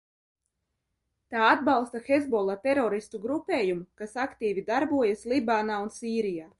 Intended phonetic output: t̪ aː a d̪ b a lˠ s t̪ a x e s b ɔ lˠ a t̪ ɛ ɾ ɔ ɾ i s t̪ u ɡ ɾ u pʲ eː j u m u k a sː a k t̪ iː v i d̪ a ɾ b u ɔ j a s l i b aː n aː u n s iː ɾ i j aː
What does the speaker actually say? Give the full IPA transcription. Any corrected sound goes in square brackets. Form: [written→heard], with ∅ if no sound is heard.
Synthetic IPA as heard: t̪ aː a d̪ b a lˠ s t̪ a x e [s→z] b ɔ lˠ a t̪ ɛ ɾ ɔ ɾ i s t̪ u ɡ ɾ u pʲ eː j u m u k a [sː→s] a k t̪ iː v i d̪ a ɾ b u ɔ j a s l i b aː n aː u n s iː ɾ i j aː